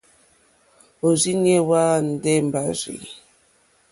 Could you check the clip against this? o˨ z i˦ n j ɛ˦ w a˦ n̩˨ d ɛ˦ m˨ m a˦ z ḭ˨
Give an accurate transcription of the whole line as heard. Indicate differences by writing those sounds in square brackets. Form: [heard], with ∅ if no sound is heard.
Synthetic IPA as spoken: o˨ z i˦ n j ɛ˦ w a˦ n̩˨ d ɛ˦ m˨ [b] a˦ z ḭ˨